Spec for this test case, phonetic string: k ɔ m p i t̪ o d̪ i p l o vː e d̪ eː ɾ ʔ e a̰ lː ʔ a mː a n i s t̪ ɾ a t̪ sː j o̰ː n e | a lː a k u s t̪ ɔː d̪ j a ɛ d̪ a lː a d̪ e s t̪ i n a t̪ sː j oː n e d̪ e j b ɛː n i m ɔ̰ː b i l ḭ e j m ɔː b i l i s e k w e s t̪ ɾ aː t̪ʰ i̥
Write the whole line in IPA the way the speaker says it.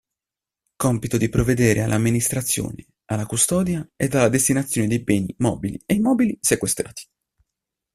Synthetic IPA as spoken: k ɔ m p i t̪ o d̪ i p ɾ o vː e d̪ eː ɾ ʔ e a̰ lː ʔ a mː i n i s t̪ ɾ a t̪ sː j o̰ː n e | a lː a k u s t̪ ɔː d̪ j a ɛ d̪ a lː a d̪ e s t̪ i n a t̪ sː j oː n e d̪ e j b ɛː n i m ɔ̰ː b i l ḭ e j m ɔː b i l i s e k w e s t̪ ɾ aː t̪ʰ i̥